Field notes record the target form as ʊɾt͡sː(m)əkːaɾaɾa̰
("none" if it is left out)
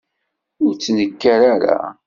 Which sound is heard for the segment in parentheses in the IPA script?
n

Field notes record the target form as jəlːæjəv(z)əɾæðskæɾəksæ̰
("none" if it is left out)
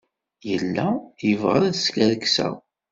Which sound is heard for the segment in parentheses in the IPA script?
ʁ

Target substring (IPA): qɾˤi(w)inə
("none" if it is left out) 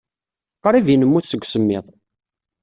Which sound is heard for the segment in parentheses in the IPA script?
v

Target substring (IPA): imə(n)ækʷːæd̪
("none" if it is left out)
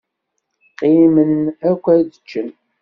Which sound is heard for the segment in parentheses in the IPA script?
n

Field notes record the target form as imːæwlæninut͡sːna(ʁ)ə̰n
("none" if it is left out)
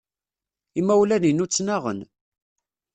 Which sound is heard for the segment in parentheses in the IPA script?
ʁ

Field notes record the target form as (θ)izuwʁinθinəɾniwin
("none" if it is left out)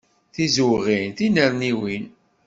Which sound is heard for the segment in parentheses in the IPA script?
θ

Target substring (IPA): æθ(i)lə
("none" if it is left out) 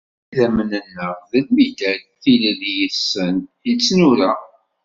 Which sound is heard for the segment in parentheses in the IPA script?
i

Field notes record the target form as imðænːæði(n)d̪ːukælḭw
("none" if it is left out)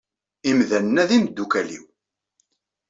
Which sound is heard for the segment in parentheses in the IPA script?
m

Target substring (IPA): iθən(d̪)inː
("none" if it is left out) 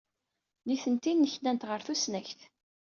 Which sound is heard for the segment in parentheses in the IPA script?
t̪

